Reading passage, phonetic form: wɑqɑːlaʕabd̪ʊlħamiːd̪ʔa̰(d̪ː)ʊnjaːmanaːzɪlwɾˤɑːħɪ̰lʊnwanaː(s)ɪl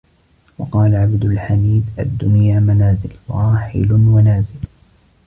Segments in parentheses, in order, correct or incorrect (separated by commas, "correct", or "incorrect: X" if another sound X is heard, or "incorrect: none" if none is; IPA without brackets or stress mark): correct, incorrect: z